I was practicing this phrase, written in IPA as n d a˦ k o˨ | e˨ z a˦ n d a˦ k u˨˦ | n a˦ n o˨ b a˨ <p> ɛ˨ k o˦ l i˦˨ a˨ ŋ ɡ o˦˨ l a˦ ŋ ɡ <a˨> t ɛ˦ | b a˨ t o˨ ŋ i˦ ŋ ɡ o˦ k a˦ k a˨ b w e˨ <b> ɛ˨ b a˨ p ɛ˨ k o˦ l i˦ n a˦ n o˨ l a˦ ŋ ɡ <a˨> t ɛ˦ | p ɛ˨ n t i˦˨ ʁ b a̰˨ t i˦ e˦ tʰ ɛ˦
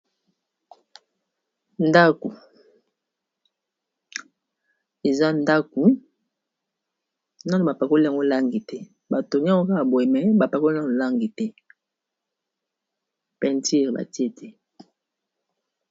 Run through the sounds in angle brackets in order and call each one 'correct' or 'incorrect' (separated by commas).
correct, incorrect, incorrect, incorrect